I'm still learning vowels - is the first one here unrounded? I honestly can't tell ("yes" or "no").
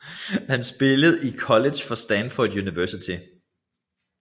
yes